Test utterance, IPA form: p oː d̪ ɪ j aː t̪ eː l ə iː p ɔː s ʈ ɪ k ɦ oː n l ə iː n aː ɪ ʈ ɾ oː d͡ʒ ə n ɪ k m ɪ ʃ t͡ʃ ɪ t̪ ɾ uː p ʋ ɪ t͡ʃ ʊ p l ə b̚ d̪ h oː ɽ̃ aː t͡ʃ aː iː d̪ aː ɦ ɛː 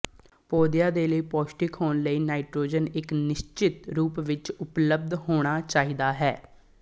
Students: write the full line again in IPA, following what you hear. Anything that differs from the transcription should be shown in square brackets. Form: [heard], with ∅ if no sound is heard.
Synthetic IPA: p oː d̪ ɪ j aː [d̪] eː l ə iː p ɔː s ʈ ɪ k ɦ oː n l ə iː n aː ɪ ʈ ɾ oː d͡ʒ ə n ɪ k [n] ɪ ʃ t͡ʃ ɪ t̪ ɾ uː p ʋ ɪ t͡ʃ ʊ p l ə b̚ d̪ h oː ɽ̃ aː t͡ʃ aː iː d̪ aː ɦ ɛː